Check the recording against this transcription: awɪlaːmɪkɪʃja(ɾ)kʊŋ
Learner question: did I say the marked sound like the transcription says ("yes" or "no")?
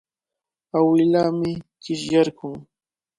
yes